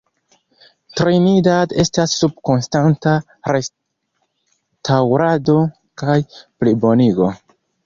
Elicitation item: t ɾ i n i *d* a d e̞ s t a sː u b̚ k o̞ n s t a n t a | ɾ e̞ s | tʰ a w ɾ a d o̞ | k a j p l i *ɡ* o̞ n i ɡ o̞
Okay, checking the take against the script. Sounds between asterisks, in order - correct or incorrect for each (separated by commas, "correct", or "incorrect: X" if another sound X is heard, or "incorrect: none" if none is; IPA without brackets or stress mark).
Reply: correct, incorrect: b